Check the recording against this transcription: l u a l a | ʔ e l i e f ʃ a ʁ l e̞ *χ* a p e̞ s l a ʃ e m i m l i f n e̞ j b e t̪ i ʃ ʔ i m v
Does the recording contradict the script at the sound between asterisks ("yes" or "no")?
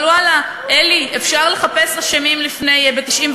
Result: no